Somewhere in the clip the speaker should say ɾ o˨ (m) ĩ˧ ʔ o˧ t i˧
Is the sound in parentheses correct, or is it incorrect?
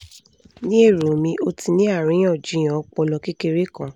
correct